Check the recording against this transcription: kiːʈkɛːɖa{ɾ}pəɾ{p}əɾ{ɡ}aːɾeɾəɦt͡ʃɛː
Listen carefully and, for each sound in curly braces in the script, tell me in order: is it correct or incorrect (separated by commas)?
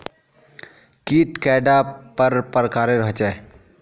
incorrect, correct, incorrect